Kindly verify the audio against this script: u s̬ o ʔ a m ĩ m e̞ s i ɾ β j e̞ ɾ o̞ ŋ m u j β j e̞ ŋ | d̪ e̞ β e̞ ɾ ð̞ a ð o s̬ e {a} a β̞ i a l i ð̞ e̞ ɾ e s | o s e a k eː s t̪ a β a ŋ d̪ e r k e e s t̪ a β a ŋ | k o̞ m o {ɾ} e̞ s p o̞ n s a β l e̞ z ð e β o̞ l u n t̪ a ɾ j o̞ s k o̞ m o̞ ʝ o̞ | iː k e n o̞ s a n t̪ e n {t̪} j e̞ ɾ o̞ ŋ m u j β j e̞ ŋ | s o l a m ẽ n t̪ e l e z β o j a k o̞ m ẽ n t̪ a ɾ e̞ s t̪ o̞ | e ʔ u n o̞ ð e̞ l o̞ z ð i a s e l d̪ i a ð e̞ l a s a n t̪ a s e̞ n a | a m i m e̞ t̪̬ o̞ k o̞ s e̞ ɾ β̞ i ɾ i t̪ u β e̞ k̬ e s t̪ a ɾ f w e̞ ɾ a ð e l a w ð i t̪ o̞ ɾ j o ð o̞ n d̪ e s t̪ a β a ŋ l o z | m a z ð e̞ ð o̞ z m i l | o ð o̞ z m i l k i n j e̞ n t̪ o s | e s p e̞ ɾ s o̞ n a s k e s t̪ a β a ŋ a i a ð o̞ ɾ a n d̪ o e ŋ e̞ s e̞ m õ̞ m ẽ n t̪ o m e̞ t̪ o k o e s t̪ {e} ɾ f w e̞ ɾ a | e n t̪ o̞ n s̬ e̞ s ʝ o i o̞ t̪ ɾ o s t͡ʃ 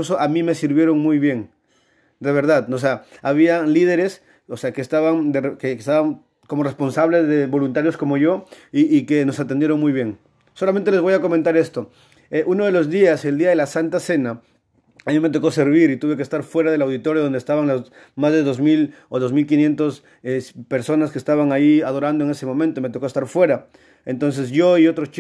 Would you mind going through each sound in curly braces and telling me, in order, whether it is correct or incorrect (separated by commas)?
correct, incorrect, incorrect, incorrect